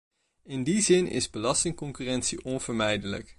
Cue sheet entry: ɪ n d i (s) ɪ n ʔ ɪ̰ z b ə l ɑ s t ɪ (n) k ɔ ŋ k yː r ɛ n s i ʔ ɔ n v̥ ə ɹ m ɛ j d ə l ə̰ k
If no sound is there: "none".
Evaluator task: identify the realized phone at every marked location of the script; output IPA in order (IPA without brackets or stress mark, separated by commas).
z, ŋ